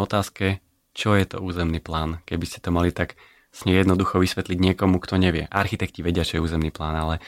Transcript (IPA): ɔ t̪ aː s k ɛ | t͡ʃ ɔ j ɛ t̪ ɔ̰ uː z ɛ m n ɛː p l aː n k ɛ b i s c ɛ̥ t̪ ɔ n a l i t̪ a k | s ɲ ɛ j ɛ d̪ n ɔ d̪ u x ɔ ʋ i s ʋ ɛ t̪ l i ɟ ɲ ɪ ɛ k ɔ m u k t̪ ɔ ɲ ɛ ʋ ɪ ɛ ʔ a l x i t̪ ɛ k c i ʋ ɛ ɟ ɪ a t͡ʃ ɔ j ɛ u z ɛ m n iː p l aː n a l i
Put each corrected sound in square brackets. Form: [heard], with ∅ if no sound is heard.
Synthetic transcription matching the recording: ɔ t̪ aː s k ɛ | t͡ʃ ɔ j ɛ t̪ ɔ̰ uː z ɛ m n [iː] p l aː n k ɛ b i s c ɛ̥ t̪ ɔ [m] a l i t̪ a k | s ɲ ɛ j ɛ d̪ n ɔ d̪ u x ɔ ʋ i s ʋ ɛ t̪ l i ɟ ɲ ɪ ɛ k ɔ m u k t̪ ɔ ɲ ɛ ʋ ɪ ɛ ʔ a [ɾ] x i t̪ ɛ k c i ʋ ɛ ɟ ɪ a t͡ʃ ɔ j ɛ [uː] z ɛ m n iː p l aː n a l [ɛ]